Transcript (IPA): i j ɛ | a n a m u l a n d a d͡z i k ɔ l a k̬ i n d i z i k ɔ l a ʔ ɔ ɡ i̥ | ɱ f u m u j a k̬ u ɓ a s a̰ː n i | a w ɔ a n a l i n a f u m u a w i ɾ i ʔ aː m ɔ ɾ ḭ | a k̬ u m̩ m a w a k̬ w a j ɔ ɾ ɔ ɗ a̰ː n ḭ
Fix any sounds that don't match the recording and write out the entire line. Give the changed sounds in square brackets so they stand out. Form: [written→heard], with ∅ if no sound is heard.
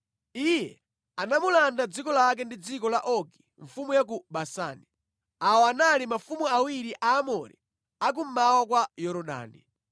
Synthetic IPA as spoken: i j ɛ | a n a m u l a n d a d͡z i k ɔ l a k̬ [i→ɛ] n d i [z→d͡z] i k ɔ l a ʔ ɔ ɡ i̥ | ɱ f u m u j a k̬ u ɓ a s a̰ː n i | a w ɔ a n a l i [n→m] a f u m u a w i ɾ i ʔ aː m ɔ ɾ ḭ | a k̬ u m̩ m a w a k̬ w a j ɔ ɾ ɔ ɗ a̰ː n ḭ